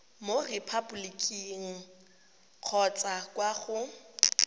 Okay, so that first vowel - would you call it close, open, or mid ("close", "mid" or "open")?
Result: mid